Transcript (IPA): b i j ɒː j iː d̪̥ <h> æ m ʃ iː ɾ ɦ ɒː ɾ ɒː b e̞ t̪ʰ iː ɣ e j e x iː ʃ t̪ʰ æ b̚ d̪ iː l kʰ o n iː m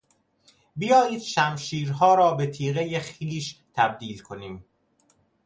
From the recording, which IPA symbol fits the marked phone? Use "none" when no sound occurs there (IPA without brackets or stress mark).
ʃ